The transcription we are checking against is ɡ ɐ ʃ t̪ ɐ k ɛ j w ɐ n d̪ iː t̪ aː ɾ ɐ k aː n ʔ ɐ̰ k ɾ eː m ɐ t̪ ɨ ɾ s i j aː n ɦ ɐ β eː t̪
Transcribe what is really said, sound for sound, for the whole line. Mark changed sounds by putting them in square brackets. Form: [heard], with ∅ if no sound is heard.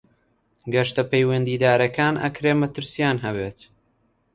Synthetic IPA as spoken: ɡ ɐ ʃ t̪ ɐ [p] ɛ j w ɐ n d̪ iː [d̪] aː ɾ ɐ k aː n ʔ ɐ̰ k ɾ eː m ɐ t̪ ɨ ɾ s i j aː n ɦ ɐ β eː t̪